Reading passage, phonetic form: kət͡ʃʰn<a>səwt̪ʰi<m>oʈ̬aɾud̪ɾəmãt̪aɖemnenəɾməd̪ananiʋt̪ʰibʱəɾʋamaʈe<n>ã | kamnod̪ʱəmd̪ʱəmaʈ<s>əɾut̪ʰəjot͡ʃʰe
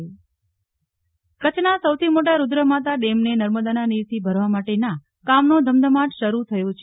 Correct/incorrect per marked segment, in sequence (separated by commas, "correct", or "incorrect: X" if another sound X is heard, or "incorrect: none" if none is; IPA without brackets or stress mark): correct, correct, correct, incorrect: ʃ